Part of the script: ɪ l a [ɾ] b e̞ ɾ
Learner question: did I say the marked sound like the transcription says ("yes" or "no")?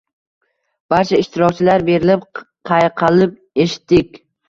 yes